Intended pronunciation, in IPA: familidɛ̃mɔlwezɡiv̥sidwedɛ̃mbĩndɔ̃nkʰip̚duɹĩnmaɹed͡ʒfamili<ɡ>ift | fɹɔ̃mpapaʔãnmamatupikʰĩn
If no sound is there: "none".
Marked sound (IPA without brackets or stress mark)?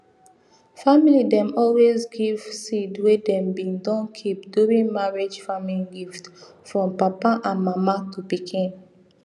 ɡ